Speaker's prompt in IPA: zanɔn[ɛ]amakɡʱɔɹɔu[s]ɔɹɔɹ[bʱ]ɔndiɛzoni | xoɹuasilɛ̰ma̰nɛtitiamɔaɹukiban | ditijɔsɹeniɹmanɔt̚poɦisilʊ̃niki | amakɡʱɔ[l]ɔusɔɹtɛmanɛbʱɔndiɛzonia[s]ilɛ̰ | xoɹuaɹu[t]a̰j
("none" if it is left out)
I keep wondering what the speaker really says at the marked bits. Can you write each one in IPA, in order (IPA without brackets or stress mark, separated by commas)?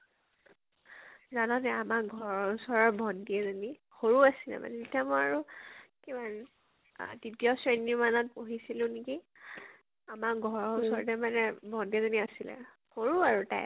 ɛ, s, bʱ, ɹ, s, t